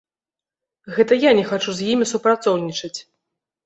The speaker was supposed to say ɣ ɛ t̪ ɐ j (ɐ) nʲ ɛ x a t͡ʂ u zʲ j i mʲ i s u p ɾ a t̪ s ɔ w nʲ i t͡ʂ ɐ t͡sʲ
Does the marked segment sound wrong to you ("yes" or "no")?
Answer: yes